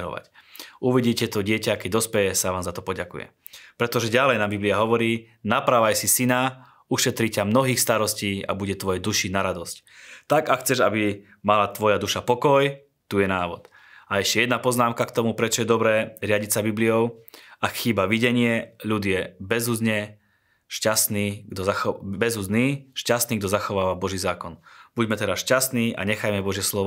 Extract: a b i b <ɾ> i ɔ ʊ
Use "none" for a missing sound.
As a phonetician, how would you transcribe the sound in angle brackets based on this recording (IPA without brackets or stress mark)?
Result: l